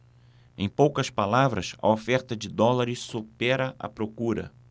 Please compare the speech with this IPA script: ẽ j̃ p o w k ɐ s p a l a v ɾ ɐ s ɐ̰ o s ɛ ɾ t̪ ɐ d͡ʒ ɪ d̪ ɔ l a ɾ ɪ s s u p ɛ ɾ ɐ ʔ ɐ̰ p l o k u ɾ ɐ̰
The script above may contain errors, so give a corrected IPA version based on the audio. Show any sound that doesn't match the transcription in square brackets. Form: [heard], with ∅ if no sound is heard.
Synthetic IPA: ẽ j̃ p o w k ɐ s p a l a v ɾ ɐ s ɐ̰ o [f] ɛ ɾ t̪ ɐ d͡ʒ ɪ d̪ ɔ l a ɾ ɪ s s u p ɛ ɾ ɐ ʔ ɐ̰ p [ɾ] o k u ɾ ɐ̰